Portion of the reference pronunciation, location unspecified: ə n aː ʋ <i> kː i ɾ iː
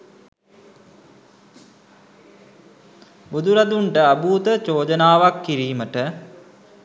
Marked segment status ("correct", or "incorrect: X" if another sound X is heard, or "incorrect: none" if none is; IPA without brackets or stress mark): incorrect: a